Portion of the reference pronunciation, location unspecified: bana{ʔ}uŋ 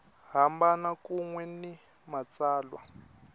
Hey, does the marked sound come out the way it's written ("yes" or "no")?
no